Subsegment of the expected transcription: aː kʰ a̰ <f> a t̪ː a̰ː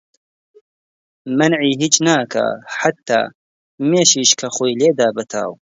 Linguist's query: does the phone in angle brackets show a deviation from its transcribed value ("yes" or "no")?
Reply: yes